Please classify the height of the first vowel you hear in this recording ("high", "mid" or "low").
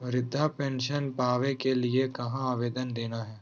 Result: high